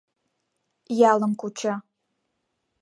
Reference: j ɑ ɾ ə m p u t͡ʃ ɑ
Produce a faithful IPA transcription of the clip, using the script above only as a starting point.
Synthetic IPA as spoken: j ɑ l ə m k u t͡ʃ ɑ

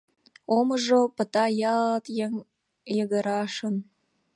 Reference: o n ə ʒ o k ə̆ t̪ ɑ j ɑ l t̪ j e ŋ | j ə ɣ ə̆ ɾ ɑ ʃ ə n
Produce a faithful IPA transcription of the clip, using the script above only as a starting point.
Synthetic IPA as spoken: o m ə ʒ o p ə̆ t̪ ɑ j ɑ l t̪ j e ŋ | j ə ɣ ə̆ ɾ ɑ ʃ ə n

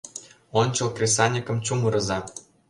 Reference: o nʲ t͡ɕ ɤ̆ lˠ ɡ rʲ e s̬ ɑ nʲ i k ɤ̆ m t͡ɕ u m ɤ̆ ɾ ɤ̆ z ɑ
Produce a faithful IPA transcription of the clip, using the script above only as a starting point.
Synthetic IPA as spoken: o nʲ t͡ɕ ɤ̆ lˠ k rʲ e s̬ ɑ nʲ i k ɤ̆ m t͡ɕ u m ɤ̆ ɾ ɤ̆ z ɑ

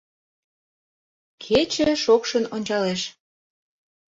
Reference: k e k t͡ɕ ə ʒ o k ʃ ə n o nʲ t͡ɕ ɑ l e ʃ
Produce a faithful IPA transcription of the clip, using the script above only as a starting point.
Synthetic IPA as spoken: kʰ e t͡ɕ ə ʃ o k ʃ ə n o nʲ t͡ɕ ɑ l e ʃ

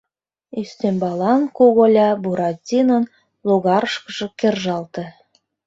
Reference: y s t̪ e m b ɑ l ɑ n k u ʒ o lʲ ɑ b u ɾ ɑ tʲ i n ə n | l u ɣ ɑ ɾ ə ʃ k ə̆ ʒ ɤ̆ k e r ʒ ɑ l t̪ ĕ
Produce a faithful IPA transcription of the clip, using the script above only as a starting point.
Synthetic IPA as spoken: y s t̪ e m b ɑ l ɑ n k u ɣ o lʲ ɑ b u ɾ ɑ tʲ i n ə n | l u ɣ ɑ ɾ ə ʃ k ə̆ ʒ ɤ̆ k e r ʒ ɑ l t̪ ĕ

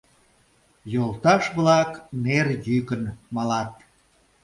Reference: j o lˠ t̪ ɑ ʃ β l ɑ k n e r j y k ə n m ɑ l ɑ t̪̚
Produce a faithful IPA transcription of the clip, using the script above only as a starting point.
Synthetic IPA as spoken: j o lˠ t̪ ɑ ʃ β l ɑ k n e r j y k ə n m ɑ l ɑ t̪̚

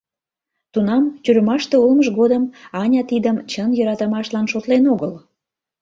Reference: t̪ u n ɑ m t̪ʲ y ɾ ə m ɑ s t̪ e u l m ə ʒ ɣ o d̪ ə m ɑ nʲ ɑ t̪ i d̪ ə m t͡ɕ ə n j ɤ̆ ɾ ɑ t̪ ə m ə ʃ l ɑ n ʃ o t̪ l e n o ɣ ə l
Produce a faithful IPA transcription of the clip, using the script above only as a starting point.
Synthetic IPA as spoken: t̪ u n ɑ m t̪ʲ y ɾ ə m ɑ ʃ t̪ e u l m ə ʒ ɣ o d̪ ə m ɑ nʲ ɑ t̪ i d̪ ə m t͡ɕ ə n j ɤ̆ ɾ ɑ t̪ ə m ɑ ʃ l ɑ n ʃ o t̪ l e n o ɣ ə l

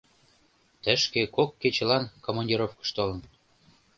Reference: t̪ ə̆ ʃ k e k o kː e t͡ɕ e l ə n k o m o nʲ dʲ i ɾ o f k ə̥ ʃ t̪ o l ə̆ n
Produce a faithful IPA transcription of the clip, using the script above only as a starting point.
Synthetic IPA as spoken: t̪ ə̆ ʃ k e k o kː e t͡ɕ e l ɑ n k o m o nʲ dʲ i ɾ o f k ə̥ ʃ t̪ o l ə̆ n

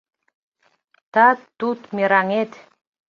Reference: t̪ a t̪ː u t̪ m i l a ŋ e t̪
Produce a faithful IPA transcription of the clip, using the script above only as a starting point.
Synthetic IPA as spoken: t̪ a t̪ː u t̪ m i ɾ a ŋ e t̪

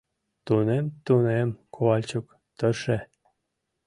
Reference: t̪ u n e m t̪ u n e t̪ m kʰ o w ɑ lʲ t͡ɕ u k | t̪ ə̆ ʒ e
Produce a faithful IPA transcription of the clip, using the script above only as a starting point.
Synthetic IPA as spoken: t̪ u n e m t̪ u n e m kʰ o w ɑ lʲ t͡ɕ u k | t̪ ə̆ ʃ e

